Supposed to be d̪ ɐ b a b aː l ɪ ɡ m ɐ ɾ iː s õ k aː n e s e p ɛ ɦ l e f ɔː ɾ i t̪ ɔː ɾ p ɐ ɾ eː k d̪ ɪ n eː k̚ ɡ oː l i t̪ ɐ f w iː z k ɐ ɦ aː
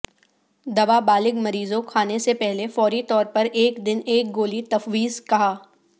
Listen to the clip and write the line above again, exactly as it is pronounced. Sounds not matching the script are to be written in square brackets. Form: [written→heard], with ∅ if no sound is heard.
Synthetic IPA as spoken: d̪ ɐ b a b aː l ɪ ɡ m ɐ ɾ iː [s→z] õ [k→kʰ] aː n e s e p ɛ ɦ l e f ɔː ɾ i t̪ ɔː ɾ p ɐ ɾ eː k d̪ ɪ n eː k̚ ɡ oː l i t̪ ɐ f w iː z k ɐ ɦ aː